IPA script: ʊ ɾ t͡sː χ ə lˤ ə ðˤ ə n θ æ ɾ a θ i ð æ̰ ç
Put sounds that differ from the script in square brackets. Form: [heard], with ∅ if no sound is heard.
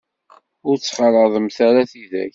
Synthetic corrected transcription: ʊ ɾ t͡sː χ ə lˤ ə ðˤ ə [m] θ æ ɾ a θ i ð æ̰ ç